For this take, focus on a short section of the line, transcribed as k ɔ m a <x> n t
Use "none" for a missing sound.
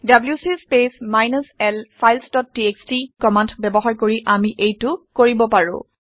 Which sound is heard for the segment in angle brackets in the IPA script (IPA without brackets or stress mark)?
none